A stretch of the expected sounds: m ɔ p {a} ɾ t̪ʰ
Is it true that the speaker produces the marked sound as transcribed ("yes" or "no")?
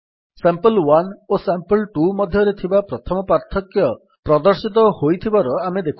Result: yes